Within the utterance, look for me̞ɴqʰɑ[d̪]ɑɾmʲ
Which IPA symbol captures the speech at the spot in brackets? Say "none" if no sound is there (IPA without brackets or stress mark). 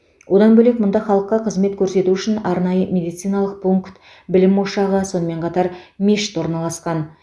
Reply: t̪